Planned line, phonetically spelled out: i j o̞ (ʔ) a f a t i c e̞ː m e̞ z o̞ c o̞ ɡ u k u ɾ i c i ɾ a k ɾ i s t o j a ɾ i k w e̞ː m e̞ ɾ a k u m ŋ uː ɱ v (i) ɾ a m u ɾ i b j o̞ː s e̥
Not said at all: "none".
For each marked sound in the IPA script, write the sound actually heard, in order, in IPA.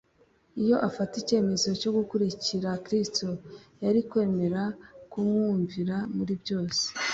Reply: ʔ, i

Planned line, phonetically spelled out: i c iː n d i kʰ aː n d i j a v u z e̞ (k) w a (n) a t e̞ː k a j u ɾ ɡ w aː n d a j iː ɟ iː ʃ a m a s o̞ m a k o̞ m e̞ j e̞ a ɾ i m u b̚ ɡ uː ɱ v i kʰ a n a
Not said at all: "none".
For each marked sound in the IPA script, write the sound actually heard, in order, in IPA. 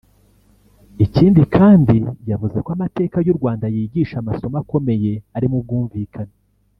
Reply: k, m

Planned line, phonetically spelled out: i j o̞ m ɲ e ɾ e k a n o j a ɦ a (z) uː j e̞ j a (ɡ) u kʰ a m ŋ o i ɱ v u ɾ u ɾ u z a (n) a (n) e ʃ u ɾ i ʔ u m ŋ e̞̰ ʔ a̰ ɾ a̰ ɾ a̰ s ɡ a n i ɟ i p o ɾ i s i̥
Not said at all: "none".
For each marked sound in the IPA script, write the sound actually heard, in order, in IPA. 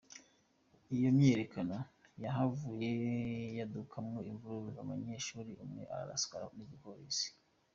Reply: v, d, m, ɲ

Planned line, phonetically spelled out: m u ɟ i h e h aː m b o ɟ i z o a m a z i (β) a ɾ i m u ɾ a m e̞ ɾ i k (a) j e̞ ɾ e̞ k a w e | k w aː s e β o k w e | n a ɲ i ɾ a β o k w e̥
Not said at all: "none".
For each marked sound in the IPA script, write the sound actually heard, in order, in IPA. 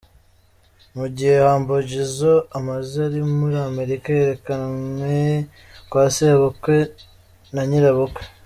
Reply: none, a

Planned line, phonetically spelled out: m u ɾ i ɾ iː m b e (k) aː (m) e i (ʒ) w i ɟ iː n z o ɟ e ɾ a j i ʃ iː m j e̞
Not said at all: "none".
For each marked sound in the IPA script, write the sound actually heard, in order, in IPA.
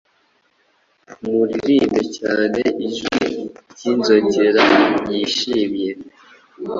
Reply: c, n, ʒ

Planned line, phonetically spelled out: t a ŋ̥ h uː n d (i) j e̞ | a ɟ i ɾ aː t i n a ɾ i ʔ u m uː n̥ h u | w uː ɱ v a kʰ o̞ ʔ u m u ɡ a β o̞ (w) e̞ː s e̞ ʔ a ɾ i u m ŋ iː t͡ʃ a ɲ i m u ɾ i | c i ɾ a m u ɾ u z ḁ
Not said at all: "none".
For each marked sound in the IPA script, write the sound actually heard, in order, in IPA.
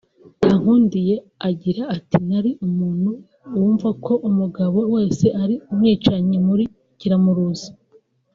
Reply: i, w

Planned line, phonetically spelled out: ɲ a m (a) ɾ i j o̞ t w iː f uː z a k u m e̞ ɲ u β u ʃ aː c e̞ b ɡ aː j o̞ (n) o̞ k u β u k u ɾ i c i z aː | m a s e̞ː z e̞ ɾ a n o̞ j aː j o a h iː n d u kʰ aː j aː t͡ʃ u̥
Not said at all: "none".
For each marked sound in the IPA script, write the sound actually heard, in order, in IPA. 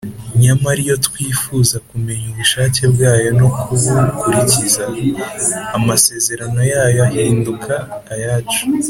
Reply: a, n

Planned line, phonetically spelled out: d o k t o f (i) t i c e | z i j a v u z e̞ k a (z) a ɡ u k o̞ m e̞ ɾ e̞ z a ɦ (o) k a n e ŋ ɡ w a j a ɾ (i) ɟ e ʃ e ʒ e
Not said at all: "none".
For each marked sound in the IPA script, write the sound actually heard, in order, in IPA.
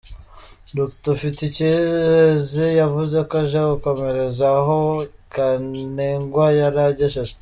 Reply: i, ʒ, o, a

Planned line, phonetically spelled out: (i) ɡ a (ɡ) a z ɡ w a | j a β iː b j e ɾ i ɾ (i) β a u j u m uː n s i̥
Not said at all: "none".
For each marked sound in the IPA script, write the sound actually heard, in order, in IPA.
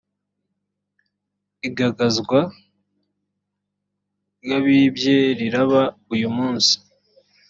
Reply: i, ɡ, a

